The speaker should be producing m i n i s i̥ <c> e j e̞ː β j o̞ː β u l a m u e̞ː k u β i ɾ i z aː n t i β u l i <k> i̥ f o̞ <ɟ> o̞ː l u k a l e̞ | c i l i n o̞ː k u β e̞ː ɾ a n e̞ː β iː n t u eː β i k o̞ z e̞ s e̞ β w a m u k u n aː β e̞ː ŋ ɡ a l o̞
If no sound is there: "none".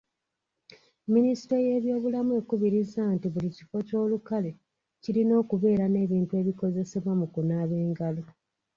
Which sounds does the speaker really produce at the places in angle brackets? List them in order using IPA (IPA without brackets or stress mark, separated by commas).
t, c, c